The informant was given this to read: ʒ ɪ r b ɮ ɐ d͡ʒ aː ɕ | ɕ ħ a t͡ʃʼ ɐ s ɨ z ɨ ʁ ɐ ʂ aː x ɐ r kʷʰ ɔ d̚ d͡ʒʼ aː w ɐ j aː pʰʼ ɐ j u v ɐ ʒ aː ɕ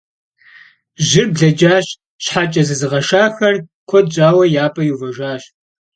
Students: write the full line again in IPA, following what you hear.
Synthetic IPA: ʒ ɪ r b ɮ ɐ d͡ʒ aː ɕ | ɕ ħ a t͡ʃʼ ɐ z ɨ z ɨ ʁ ɐ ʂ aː x ɐ r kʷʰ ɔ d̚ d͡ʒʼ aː w ɐ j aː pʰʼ ɐ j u v ɐ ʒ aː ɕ

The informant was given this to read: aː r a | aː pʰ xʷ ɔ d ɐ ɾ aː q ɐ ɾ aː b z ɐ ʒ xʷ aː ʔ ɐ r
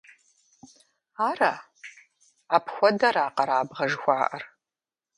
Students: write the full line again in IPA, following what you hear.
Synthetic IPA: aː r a | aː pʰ xʷ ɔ d ɐ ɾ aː q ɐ ɾ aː b ʁ ɐ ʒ xʷ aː ʔ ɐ r

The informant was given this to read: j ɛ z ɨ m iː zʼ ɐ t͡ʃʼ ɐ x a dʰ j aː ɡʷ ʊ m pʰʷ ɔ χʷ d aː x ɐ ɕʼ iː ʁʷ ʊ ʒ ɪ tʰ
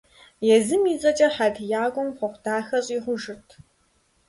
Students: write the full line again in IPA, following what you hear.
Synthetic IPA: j ɛ z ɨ m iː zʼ ɐ t͡ʃʼ ɐ ħ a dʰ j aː ɡʷ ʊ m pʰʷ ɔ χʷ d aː x ɐ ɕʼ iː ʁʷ ʊ ʒ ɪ tʰ

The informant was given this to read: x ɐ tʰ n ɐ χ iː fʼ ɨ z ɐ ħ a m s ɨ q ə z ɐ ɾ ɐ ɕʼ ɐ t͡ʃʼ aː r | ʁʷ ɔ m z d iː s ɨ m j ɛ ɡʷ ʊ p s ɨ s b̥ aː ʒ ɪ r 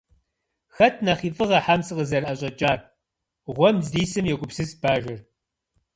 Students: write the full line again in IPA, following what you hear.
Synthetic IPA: x ɐ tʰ n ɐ χ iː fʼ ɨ ʁ ɐ ħ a m s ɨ q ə z ɐ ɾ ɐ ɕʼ ɐ t͡ʃʼ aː r | ʁʷ ɔ m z d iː s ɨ m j ɛ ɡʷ ʊ p s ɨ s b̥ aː ʒ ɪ r

